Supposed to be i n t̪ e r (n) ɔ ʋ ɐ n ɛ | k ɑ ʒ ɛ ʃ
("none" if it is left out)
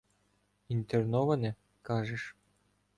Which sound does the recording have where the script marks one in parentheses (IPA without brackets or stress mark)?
n